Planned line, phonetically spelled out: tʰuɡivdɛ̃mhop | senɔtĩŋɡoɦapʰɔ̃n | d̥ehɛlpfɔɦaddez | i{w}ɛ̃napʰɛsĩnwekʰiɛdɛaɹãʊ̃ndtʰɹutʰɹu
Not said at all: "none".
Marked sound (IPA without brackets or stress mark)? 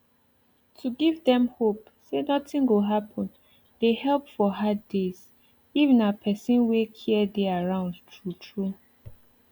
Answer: v